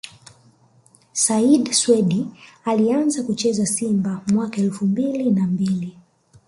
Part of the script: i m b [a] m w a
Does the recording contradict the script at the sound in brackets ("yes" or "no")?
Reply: no